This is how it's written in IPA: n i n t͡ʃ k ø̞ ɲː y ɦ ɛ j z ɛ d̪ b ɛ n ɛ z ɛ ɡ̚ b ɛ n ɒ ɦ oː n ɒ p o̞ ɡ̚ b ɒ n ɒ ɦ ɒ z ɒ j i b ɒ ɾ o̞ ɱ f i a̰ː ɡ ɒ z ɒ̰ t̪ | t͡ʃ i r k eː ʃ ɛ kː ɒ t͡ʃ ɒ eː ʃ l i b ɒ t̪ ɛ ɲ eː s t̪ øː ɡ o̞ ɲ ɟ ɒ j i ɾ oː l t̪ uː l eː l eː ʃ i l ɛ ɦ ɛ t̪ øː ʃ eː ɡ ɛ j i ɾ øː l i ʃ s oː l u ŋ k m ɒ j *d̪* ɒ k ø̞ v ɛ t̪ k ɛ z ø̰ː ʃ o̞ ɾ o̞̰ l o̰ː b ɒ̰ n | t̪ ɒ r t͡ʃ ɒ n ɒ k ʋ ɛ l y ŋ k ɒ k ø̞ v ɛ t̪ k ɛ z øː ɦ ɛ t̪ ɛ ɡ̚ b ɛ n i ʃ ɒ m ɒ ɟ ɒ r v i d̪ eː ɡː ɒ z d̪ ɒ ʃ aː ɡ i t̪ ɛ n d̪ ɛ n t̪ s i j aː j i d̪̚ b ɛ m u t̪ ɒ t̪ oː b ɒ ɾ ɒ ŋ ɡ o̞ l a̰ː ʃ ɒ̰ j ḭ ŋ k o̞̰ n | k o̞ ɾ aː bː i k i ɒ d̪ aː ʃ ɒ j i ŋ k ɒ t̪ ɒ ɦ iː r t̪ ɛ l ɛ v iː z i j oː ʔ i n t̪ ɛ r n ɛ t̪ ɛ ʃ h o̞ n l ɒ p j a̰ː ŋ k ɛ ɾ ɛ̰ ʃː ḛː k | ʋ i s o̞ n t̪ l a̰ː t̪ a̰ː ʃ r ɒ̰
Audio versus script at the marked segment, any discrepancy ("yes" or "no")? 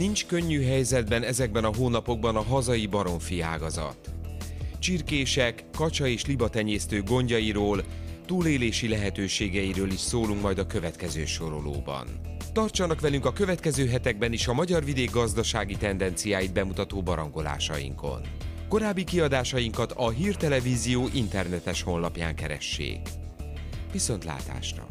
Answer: no